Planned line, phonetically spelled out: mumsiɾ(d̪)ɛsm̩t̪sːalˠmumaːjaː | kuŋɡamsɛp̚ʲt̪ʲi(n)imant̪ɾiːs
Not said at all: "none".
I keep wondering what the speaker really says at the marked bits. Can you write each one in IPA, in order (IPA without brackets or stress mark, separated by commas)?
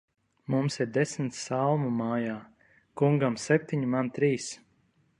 d̪, ɲ